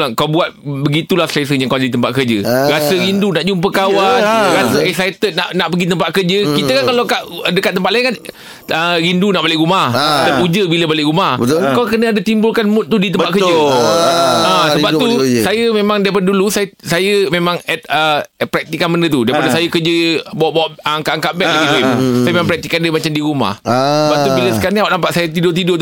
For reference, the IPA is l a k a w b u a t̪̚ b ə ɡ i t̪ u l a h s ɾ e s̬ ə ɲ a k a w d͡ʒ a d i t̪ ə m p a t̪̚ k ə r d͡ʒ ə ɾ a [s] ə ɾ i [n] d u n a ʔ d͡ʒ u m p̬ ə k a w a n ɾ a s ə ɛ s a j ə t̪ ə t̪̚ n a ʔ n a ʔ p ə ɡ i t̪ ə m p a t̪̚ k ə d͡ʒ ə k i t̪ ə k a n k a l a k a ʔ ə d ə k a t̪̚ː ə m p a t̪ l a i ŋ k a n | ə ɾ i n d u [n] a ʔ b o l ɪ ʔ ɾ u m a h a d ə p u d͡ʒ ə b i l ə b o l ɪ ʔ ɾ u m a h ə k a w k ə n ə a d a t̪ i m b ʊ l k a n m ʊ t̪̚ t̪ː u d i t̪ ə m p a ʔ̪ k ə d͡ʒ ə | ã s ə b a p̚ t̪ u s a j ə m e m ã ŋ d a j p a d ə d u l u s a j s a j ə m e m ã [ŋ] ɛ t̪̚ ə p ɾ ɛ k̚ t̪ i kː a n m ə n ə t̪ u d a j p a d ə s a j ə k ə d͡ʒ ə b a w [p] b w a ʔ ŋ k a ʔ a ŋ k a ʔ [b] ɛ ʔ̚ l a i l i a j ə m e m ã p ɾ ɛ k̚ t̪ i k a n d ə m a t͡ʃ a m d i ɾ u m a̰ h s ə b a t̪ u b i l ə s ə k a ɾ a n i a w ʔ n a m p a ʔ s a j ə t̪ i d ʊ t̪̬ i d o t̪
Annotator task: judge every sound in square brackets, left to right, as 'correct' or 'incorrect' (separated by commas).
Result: correct, correct, correct, correct, incorrect, correct